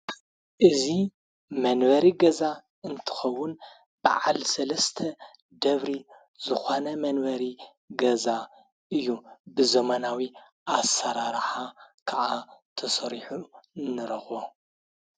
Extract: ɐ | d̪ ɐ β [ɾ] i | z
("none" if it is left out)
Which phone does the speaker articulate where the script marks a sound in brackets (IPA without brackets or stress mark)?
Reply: ɾ